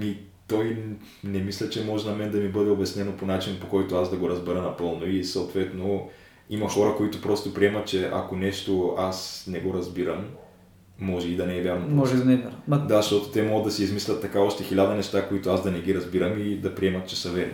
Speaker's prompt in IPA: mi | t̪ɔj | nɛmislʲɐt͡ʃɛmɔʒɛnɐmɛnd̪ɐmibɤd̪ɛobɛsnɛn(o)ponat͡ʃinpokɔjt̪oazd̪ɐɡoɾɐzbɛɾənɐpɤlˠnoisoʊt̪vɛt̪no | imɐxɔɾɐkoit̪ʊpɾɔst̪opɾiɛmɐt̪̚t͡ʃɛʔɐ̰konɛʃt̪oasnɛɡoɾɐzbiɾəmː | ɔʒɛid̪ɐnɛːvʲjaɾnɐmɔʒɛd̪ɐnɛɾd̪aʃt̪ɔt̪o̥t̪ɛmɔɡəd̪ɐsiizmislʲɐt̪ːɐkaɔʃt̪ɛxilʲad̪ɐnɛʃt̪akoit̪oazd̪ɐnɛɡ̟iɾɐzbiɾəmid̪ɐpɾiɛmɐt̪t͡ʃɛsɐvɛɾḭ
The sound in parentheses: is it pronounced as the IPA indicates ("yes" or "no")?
yes